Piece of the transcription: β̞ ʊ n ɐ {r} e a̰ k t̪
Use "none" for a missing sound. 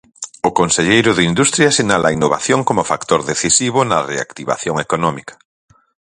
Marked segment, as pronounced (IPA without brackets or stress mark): r